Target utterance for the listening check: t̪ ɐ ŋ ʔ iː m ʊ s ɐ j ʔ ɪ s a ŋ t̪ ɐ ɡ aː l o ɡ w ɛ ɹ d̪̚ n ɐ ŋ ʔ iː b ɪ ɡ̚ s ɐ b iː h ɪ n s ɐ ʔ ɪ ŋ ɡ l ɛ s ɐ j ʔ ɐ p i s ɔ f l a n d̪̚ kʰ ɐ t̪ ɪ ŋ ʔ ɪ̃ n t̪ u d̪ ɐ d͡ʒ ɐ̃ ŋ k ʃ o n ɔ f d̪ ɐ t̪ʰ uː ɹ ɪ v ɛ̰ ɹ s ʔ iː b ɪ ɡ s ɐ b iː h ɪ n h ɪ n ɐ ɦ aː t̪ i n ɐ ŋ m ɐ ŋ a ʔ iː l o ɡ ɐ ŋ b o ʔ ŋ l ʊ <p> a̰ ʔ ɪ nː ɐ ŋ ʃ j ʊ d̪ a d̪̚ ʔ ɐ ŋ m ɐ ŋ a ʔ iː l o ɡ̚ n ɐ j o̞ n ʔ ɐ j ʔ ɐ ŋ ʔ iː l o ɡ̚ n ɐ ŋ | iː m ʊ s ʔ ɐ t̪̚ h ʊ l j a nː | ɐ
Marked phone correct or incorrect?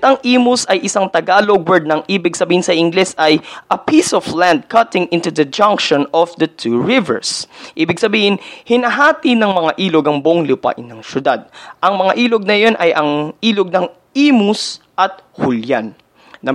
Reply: correct